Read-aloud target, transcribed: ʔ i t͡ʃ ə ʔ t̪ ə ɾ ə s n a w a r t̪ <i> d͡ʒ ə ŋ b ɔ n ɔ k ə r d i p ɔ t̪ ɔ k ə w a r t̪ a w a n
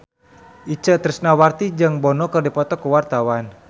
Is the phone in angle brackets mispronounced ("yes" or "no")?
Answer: no